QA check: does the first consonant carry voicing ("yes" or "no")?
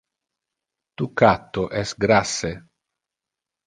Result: no